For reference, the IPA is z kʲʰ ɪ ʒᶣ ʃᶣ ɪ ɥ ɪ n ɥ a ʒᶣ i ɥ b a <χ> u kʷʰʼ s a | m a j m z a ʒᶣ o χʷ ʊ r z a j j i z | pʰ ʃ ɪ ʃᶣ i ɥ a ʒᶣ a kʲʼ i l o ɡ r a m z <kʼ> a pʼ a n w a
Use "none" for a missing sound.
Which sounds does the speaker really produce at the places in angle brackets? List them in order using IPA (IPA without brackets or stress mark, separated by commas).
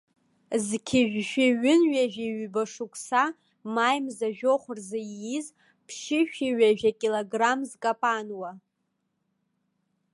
ʂ, kʼ